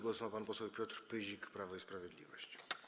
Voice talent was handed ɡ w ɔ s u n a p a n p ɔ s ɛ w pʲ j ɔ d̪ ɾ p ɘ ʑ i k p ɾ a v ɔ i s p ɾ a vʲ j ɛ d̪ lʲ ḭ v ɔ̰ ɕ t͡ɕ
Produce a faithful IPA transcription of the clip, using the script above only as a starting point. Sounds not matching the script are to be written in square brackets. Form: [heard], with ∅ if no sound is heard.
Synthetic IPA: ɡ w ɔ s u [m] a p a n p ɔ s ɛ w pʲ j ɔ [t̪] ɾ p ɘ ʑ i k p ɾ a v ɔ i s p ɾ a vʲ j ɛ d̪ lʲ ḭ v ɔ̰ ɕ t͡ɕ